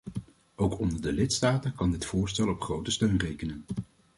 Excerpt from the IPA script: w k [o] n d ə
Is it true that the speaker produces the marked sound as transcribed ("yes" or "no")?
no